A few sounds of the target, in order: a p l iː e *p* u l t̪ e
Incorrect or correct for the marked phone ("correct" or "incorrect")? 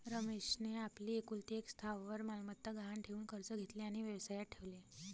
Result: incorrect